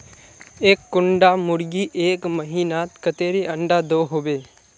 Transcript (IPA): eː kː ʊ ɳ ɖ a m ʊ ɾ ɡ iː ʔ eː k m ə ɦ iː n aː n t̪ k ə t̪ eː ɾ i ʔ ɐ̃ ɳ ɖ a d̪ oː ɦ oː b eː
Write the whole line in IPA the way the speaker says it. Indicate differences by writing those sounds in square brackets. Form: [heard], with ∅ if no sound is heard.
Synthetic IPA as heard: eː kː ʊ ɳ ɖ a m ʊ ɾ ɡ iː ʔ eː k m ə ɦ iː n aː [∅] t̪ k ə t̪ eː ɾ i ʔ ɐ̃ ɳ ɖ a d̪ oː ɦ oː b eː